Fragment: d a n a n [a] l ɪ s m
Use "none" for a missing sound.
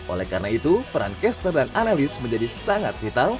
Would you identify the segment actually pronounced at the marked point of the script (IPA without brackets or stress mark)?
a